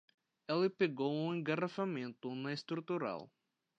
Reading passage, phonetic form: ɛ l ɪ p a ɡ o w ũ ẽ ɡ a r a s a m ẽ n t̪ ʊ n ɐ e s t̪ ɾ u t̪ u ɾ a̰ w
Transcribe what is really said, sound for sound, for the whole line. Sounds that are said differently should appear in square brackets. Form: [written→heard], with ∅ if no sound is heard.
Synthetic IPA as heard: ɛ l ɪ p [a→e] ɡ o w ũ ẽ ɡ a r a [s→f] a m ẽ n t̪ ʊ n ɐ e s t̪ ɾ u t̪ u ɾ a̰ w